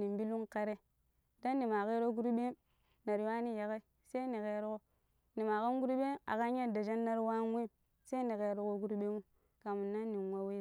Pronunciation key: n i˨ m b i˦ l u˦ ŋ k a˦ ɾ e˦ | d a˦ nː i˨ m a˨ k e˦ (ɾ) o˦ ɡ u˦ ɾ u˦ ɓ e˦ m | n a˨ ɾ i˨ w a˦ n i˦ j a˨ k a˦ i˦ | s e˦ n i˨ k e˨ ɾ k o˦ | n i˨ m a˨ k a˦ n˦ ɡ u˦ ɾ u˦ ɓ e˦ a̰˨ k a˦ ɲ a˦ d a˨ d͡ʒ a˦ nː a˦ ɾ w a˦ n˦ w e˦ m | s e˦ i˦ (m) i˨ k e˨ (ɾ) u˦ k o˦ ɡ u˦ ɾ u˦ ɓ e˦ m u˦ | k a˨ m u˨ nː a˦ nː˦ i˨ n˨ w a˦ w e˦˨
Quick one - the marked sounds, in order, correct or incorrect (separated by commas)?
correct, incorrect, correct